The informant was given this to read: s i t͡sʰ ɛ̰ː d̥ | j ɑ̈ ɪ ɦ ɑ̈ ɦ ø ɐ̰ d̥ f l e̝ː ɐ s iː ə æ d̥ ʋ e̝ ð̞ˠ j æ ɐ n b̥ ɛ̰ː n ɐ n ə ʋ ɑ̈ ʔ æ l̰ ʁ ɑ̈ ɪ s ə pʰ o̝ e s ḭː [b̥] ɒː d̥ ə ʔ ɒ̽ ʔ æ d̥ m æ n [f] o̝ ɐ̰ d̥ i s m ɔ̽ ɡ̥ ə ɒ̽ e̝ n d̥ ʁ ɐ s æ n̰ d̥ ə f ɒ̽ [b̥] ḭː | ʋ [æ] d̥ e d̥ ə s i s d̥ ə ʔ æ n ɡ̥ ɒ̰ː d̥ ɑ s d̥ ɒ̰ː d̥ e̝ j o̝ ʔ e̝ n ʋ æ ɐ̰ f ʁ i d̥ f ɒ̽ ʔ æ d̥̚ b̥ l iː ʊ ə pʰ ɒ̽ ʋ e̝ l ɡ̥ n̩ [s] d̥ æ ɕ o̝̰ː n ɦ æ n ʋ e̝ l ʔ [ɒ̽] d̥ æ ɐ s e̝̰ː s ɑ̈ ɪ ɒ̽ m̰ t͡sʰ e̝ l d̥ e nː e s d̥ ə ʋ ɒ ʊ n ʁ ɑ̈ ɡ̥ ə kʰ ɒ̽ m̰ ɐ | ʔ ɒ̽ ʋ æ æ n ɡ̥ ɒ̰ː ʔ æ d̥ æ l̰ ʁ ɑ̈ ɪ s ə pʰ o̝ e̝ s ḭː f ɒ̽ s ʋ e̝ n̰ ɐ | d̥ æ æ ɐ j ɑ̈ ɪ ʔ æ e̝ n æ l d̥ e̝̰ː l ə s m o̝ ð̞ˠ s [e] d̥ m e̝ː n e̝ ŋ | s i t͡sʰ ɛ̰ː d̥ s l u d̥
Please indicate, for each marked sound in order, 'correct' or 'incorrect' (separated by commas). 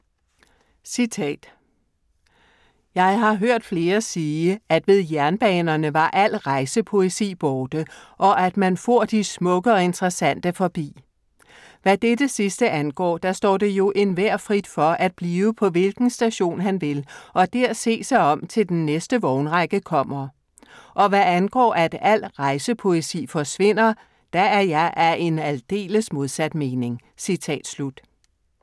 correct, correct, correct, correct, correct, correct, incorrect